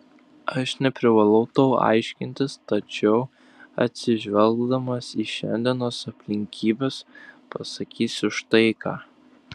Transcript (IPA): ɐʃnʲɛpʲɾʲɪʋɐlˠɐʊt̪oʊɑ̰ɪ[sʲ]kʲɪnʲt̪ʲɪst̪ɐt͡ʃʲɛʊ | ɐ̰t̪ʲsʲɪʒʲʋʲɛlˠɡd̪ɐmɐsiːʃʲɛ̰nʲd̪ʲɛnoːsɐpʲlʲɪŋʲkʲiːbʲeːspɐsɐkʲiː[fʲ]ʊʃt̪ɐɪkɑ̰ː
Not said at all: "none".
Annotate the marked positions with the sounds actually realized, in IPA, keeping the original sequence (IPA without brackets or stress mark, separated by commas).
ʃʲ, sʲ